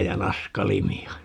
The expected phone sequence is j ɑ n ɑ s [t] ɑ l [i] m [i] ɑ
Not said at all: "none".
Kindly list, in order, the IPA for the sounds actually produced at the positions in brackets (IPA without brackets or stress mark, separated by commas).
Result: k, i, i